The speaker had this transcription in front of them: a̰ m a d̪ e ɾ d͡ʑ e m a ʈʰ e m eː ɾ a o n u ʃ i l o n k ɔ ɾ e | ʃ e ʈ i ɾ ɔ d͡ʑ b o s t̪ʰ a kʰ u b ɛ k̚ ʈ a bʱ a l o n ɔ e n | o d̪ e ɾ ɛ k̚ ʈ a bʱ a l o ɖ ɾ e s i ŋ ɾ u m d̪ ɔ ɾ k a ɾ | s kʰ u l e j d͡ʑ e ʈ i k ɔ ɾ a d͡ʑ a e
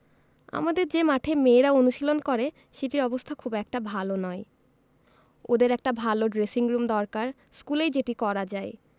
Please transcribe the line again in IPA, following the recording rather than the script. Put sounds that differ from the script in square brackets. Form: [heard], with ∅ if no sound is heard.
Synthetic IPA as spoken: a̰ m a d̪ e ɾ d͡ʑ e m a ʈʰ e m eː ɾ a o n u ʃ i l o n k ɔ ɾ e | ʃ e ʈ i ɾ ɔ [∅] b o s t̪ʰ a kʰ u b ɛ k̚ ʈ a bʱ a l o n ɔ e [∅] | o d̪ e ɾ ɛ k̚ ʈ a bʱ a l o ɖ ɾ e s i ŋ ɾ u m d̪ ɔ ɾ k a ɾ | s [k] u l e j d͡ʑ e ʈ i k ɔ ɾ a d͡ʑ a e